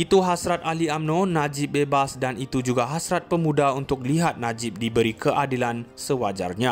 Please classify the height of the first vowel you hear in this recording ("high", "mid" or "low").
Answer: high